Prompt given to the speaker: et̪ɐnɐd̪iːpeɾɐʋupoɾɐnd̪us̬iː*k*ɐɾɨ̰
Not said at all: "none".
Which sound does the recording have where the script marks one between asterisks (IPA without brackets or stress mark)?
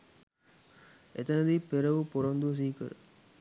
k